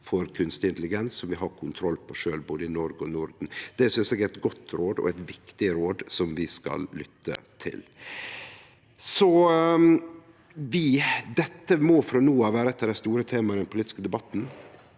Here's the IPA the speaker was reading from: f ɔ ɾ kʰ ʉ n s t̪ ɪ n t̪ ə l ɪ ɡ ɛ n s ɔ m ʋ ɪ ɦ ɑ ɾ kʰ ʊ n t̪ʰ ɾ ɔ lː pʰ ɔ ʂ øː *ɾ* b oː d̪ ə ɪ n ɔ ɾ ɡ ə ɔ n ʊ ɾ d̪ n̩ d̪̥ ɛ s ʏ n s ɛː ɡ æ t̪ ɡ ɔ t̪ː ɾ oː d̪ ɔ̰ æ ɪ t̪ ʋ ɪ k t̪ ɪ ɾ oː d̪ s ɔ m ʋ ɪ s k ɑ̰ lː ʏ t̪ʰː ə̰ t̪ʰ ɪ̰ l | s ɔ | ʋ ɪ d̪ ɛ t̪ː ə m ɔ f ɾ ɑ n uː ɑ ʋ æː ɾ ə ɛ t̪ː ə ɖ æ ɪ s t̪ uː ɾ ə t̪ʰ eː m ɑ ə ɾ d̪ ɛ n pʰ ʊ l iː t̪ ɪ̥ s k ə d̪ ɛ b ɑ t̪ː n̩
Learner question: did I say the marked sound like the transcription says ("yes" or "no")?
no